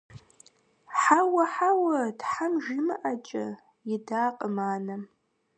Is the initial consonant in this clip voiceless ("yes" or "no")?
yes